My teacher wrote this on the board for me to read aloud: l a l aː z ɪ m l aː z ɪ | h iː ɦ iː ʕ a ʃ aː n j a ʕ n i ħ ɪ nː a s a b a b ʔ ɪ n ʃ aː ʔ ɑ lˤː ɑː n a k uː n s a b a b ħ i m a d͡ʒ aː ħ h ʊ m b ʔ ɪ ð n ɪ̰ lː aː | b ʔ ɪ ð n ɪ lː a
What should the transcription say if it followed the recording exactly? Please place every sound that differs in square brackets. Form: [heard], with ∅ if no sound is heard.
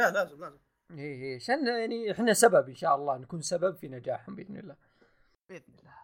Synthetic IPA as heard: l a l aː z ɪ m l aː z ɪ | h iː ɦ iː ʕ a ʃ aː n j a ʕ n i ħ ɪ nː a s a b a b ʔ ɪ n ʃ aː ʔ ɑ lˤː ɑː n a k uː n s a b a b [f] i [n] a d͡ʒ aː ħ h ʊ m b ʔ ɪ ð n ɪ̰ lː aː | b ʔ ɪ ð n ɪ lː a